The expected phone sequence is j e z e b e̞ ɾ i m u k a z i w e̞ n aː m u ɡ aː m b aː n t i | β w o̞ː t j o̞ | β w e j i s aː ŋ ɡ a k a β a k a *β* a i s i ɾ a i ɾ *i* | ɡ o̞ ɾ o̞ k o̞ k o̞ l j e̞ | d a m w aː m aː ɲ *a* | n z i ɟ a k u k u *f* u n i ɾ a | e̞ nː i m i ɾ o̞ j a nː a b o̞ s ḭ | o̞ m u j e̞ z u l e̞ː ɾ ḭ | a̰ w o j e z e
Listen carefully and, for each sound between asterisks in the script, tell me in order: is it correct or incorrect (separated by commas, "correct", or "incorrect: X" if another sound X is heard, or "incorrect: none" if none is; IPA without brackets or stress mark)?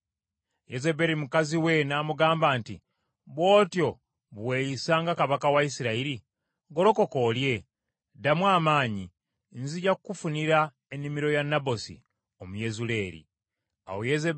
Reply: incorrect: w, correct, incorrect: i, correct